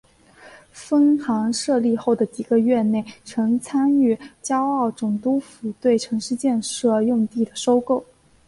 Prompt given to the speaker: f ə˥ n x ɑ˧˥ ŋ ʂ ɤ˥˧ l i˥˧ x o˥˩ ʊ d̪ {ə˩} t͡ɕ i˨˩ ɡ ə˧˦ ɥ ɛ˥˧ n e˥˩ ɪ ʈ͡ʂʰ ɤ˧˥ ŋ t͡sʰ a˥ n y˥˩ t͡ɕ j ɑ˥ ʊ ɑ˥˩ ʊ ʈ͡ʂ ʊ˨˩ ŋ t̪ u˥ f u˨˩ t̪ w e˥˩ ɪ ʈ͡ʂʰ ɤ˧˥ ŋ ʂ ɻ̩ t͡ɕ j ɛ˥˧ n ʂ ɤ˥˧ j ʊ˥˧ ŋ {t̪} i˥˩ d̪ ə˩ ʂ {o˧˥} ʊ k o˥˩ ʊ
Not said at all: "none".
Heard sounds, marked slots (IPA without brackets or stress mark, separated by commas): ə˩, t̪, o˥